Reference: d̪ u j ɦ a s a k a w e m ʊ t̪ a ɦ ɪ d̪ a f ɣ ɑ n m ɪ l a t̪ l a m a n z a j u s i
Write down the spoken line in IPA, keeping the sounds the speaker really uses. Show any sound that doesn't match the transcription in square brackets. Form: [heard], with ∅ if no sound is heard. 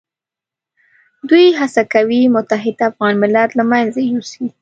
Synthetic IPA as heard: d̪ u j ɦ a s a k a w [i] m ʊ t̪ a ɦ ɪ d̪ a f ɣ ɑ n m ɪ l a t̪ l a m a n z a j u s i